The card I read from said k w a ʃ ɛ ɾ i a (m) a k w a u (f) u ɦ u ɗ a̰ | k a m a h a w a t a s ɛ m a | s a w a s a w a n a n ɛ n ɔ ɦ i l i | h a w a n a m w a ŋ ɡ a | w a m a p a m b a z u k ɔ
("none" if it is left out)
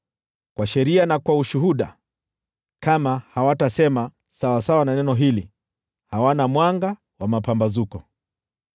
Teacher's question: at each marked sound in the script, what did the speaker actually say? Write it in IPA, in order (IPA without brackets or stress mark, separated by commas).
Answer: n, ʃ